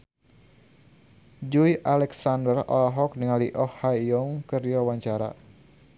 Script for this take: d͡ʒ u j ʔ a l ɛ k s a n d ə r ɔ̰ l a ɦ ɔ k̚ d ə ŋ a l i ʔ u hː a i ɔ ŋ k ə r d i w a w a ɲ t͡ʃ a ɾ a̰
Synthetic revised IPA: d͡ʒ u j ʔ a l ɛ k s a n d ə r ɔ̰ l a ɦ ɔ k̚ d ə ŋ a l i ʔ ɔ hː a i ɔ ŋ k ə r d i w a w a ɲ t͡ʃ a ɾ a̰